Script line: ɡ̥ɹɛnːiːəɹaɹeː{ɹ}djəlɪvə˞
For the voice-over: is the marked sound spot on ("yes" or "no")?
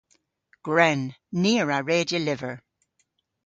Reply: no